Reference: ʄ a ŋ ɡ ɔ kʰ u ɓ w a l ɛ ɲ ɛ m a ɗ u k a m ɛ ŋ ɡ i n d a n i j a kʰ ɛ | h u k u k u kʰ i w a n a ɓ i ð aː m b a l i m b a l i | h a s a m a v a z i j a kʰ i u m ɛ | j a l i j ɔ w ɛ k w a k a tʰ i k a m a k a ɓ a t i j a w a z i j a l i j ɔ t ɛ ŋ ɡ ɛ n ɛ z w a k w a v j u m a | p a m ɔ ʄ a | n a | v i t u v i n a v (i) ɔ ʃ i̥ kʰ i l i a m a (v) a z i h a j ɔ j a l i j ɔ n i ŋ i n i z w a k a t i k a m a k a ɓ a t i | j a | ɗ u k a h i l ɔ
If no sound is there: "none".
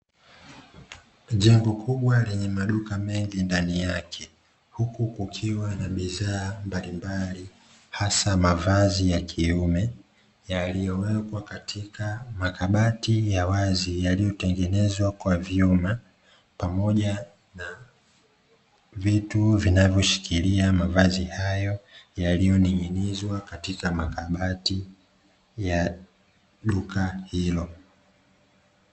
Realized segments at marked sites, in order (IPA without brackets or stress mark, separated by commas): j, v